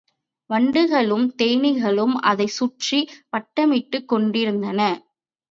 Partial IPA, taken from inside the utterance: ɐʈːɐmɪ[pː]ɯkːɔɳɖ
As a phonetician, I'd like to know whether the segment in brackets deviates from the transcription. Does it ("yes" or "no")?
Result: yes